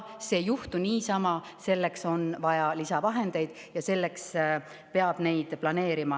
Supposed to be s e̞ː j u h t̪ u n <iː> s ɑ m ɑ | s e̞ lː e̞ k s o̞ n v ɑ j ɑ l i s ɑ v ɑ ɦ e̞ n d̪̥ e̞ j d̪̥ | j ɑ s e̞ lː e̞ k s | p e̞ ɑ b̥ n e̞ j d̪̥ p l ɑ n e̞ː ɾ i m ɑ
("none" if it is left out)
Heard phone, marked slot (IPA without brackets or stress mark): iː